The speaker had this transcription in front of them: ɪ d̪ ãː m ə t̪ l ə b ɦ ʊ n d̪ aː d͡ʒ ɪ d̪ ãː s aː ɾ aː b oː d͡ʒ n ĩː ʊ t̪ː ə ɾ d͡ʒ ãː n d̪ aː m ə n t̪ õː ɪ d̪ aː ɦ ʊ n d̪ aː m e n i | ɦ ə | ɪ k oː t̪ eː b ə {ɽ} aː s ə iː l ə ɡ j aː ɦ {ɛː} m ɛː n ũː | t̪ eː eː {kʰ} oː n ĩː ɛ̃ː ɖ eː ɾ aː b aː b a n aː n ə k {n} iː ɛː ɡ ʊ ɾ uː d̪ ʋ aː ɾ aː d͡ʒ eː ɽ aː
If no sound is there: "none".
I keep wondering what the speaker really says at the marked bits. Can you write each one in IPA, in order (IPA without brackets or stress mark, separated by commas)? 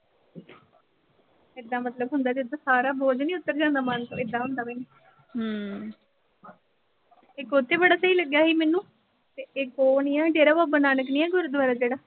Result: ɽ, iː, k, n